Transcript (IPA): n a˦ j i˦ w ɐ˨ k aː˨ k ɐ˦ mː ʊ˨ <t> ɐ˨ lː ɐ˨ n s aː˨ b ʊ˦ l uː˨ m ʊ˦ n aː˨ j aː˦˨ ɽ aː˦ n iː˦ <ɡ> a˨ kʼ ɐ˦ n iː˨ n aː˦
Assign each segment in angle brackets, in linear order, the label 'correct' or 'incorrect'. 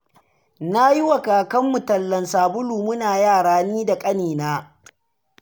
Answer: correct, incorrect

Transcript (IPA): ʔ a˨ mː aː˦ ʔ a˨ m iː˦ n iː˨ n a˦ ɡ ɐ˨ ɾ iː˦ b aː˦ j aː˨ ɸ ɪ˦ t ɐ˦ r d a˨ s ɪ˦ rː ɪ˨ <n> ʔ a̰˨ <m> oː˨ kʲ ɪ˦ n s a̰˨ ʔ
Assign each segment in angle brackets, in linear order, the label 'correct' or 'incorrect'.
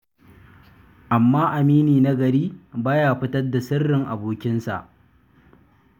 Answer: incorrect, incorrect

